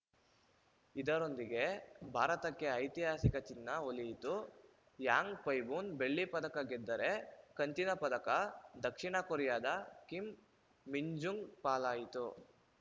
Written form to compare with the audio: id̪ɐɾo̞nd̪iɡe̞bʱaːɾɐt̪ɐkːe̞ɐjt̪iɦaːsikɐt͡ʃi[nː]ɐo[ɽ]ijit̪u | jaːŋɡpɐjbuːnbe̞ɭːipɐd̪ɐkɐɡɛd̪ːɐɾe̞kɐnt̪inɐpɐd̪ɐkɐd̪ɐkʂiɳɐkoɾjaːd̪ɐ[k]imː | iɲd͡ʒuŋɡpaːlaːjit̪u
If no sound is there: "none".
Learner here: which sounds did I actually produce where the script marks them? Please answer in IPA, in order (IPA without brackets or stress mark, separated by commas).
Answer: nː, l, k